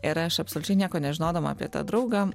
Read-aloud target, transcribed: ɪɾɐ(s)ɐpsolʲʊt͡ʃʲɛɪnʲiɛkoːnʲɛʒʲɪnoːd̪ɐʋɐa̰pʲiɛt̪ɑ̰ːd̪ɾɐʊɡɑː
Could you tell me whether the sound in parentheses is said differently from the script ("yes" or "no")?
yes